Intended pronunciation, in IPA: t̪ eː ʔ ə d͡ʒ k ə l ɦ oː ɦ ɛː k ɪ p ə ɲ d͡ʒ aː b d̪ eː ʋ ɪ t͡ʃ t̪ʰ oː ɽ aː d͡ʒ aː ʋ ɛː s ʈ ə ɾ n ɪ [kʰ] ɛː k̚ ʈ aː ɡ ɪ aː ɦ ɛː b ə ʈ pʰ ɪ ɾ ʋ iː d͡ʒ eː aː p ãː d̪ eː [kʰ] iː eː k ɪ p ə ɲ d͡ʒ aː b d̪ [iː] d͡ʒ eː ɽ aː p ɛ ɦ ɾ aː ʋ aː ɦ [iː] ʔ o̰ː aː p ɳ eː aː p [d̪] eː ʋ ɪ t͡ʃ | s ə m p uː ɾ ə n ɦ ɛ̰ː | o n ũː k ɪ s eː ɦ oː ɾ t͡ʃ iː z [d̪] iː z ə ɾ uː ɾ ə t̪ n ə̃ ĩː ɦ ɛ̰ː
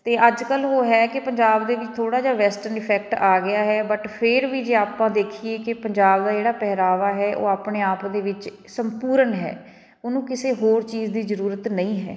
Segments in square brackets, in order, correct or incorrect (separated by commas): incorrect, correct, incorrect, incorrect, correct, correct